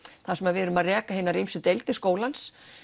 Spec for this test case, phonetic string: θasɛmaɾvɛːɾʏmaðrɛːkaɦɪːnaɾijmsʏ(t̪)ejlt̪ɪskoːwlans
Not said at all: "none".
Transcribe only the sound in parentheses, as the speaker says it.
t̪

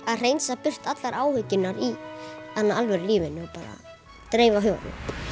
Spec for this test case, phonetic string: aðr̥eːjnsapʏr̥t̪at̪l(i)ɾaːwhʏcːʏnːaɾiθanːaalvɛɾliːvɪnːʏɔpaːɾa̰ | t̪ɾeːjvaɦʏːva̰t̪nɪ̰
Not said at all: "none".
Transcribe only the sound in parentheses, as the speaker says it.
a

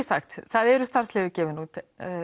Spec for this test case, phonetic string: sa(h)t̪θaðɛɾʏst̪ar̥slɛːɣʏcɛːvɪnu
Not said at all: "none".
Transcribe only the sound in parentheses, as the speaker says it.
x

